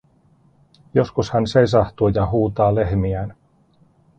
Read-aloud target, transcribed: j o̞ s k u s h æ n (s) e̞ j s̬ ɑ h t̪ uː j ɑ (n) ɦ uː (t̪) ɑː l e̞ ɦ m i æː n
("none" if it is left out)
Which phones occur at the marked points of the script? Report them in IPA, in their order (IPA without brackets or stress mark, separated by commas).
s, none, t̪